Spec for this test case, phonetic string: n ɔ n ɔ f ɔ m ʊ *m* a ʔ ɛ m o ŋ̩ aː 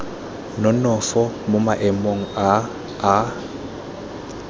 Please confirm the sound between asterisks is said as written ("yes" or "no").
yes